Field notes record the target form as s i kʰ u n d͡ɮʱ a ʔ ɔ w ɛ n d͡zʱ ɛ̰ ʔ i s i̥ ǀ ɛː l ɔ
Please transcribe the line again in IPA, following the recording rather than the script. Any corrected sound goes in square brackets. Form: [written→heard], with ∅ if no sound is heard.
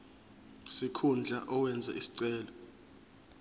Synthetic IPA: s i kʰ u n d͡ɮʱ a ʔ ɔ w ɛ n d͡zʱ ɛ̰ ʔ i s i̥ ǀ ɛː l ɔ